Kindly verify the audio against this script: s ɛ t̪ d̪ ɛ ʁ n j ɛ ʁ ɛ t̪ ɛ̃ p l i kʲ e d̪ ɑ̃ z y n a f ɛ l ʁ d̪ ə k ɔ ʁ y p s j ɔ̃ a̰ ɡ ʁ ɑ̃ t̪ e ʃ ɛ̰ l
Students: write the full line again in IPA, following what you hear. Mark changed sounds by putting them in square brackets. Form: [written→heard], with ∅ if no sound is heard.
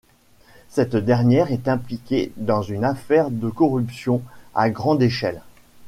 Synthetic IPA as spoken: s ɛ t̪ d̪ ɛ ʁ n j ɛ ʁ ɛ t̪ ɛ̃ p l i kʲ e d̪ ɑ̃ z y n a f ɛ [l→∅] ʁ d̪ ə k ɔ ʁ y p s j ɔ̃ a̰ ɡ ʁ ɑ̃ [t̪→d̪] e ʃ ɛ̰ l